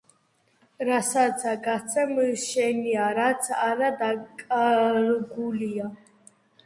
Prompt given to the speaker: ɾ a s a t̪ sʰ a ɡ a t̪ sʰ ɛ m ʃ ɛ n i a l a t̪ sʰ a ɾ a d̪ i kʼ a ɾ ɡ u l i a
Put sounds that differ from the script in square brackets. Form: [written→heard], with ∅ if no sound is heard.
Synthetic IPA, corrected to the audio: ɾ a s a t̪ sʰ a ɡ a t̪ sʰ ɛ m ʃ ɛ n i a [l→ɾ] a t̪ sʰ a ɾ a d̪ [i→a] kʼ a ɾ ɡ u l i a

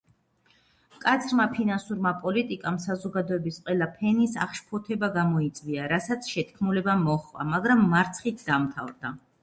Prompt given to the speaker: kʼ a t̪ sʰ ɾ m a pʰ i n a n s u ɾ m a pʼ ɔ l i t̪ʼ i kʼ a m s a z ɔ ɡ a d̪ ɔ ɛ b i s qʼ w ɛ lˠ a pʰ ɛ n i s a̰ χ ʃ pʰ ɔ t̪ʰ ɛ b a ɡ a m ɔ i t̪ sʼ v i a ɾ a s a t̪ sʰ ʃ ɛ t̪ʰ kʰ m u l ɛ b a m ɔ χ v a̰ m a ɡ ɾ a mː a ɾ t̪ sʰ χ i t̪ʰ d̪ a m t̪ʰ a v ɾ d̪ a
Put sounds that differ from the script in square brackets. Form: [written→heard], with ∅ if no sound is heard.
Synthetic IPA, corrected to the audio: kʼ a t̪ sʰ ɾ m a pʰ i n a n s u ɾ m a pʼ ɔ l i t̪ʼ i kʼ a m s a z ɔ ɡ a d̪ ɔ ɛ b i s qʼ w ɛ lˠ a pʰ ɛ n i s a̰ χ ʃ pʰ ɔ t̪ʰ ɛ b a ɡ a m ɔ i t̪ sʼ v i a ɾ a s a t̪ sʰ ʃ ɛ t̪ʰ kʰ m u l ɛ b a m ɔ χ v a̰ m a ɡ ɾ a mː a ɾ t̪ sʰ χ i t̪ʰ d̪ a m t̪ʰ a v ɾ d̪ a

